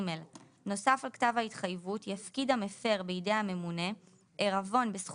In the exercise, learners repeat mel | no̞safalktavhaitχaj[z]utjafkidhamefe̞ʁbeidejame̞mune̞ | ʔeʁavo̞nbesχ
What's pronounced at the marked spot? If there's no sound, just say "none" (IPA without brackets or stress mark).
v